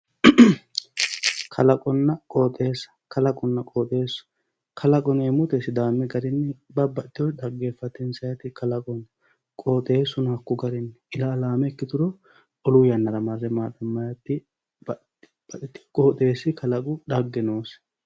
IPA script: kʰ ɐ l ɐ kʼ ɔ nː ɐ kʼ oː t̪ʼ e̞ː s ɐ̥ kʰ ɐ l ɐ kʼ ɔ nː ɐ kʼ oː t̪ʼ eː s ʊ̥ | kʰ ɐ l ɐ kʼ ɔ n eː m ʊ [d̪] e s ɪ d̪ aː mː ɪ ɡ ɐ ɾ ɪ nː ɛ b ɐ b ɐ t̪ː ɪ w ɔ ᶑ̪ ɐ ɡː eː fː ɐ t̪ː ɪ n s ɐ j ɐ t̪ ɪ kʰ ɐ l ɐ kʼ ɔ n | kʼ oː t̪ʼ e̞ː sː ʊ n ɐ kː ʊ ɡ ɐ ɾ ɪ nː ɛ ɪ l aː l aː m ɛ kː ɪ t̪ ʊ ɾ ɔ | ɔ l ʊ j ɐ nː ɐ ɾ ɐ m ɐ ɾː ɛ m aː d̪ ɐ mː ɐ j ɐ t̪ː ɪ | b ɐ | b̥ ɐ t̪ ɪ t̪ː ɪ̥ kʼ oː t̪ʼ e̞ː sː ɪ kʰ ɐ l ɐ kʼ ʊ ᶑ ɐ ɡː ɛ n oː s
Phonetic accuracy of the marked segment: incorrect: t̪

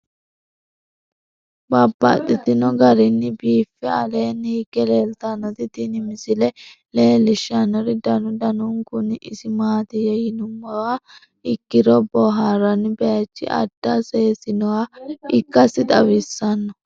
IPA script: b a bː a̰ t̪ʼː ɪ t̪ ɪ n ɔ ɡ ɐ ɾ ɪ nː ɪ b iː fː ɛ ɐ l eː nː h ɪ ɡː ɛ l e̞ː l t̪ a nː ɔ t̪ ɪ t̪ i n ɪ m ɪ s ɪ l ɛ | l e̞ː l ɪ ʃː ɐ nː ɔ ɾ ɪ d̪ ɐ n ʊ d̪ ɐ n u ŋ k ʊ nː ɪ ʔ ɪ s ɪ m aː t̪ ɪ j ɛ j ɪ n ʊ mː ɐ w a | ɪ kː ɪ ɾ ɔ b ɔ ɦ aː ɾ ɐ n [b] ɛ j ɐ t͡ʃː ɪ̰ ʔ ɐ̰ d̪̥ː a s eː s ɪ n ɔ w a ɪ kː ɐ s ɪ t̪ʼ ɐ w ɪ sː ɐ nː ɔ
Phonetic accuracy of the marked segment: correct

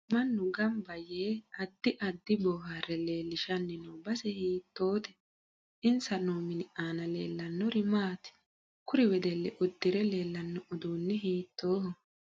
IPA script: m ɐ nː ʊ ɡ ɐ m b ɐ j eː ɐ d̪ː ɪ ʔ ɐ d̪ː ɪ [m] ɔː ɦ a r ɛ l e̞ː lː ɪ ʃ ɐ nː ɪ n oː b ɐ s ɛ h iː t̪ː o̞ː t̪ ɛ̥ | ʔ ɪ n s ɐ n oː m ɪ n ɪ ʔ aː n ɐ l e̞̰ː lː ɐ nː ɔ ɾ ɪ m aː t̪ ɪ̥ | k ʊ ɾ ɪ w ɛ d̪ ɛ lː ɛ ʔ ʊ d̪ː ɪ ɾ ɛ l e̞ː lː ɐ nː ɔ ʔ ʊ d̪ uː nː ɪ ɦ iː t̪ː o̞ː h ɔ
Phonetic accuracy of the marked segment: incorrect: b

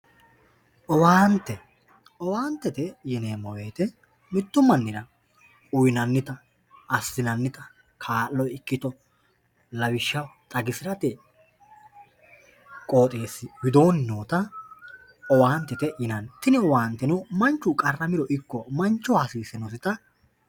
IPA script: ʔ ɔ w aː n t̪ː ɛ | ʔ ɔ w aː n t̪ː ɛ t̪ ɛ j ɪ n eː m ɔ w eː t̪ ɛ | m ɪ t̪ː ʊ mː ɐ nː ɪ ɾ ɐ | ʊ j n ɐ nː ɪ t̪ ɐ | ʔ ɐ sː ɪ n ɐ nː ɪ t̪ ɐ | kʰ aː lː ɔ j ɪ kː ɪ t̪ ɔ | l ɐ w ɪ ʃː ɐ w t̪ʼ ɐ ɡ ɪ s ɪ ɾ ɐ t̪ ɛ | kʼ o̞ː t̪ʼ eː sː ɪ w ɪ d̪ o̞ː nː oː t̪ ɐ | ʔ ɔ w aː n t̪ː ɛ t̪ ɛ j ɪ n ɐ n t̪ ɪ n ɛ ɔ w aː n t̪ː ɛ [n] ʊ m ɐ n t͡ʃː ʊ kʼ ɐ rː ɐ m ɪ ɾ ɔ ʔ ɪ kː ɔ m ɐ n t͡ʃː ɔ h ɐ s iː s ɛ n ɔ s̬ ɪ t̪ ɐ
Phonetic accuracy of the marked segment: correct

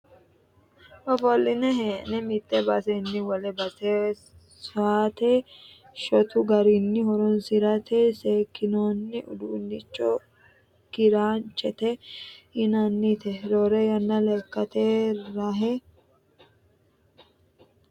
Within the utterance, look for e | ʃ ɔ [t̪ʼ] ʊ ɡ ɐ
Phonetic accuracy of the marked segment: incorrect: t̪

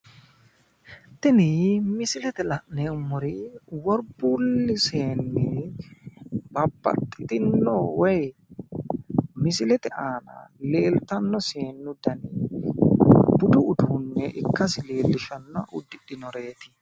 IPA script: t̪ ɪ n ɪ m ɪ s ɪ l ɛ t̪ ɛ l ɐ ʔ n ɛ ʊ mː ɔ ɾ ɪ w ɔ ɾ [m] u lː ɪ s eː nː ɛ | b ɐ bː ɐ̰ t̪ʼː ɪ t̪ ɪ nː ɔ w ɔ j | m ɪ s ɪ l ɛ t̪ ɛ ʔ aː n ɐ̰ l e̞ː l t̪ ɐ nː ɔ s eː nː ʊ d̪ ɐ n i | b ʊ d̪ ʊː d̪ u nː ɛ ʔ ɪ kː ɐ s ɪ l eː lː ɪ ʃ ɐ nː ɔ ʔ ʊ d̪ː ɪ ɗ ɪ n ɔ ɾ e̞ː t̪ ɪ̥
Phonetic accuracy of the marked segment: incorrect: b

